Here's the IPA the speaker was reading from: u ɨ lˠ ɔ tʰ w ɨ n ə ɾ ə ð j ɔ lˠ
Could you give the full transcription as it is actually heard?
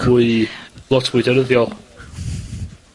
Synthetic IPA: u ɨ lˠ ɔ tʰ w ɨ d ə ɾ ə ð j ɔ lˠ